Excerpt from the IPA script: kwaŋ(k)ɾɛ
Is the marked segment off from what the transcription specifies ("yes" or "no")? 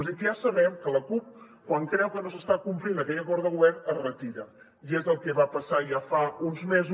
no